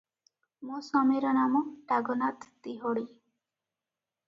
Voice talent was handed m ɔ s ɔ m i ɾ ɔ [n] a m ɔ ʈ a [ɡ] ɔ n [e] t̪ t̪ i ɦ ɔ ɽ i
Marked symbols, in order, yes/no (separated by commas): yes, yes, no